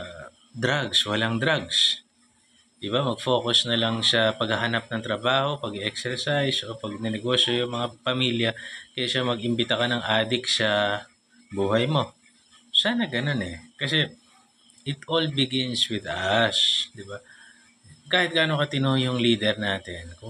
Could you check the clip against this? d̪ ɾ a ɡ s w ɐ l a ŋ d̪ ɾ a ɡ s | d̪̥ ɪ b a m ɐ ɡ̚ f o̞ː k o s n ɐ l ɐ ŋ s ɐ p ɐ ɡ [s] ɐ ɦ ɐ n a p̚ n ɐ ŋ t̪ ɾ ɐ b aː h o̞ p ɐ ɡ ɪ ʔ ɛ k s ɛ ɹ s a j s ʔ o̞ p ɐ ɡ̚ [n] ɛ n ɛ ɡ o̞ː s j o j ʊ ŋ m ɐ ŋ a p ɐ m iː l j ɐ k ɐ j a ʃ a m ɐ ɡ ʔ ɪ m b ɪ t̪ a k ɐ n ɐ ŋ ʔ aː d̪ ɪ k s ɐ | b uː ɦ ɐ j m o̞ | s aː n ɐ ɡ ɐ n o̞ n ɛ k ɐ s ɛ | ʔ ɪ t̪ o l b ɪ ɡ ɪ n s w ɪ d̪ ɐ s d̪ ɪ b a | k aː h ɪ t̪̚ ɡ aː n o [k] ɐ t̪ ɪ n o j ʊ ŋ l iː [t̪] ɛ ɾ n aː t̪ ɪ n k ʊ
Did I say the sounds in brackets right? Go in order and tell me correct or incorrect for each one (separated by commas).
incorrect, correct, correct, incorrect